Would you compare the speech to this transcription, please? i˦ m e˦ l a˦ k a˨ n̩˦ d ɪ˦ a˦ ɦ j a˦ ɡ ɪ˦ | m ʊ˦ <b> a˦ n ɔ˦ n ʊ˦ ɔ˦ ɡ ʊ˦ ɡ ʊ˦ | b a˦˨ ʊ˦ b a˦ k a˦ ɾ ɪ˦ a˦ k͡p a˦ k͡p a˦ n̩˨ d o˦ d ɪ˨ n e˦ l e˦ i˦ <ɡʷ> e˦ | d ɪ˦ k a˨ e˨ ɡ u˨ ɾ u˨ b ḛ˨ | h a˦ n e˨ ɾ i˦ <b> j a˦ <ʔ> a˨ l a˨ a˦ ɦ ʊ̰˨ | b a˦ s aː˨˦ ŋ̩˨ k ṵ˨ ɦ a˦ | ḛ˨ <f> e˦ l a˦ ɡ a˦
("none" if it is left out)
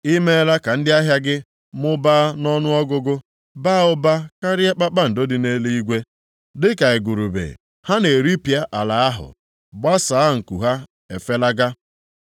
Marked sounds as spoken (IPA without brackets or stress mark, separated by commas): b, ɡʷ, p, ʔ, f